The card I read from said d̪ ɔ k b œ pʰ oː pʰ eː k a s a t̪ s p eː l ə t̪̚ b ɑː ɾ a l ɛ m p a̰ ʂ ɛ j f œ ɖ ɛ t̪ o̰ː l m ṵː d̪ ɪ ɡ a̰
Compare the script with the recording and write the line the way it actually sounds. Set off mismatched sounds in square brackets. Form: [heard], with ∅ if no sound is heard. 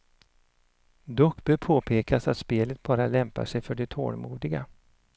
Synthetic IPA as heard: d̪ ɔ k b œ pʰ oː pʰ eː k a s a t̪ s p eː l ə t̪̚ b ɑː ɾ a l ɛ m p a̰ ʂ ɛ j f œ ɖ ɛ [t̪ʰ] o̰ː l m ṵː d̪ ɪ ɡ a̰